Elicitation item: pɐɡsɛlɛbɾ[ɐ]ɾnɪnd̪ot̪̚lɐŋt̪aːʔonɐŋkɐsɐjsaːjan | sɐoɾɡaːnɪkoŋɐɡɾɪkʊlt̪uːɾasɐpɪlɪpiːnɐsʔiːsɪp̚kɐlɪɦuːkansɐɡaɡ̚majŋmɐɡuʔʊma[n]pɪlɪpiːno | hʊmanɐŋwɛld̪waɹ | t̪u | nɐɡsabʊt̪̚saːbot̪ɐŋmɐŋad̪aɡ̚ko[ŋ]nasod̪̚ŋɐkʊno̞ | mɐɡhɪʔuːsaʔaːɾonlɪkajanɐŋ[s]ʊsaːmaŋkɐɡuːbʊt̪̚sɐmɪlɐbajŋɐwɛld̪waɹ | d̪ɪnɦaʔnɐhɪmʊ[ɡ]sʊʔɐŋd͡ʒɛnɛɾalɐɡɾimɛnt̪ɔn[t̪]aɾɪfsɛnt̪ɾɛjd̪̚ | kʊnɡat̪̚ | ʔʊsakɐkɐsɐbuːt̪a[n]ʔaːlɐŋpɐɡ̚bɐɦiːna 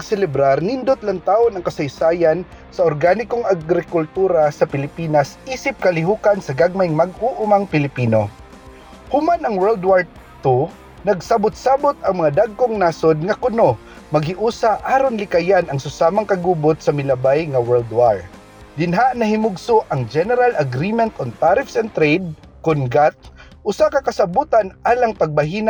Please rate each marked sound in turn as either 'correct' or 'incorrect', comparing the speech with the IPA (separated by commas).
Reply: incorrect, incorrect, correct, correct, correct, correct, correct